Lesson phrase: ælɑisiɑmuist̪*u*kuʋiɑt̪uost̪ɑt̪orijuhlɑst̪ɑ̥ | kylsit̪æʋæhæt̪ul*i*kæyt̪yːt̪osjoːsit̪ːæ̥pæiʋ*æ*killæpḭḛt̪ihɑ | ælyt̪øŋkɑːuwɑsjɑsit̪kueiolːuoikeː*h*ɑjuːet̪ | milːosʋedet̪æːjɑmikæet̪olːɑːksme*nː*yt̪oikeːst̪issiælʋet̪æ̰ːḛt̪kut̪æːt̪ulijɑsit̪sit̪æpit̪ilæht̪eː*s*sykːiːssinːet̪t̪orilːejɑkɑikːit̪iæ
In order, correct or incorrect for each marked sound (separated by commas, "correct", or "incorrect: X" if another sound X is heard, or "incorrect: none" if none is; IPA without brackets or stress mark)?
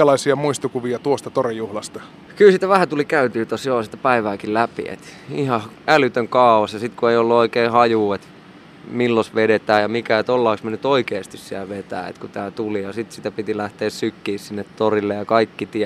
correct, correct, incorrect: æː, correct, incorrect: n, correct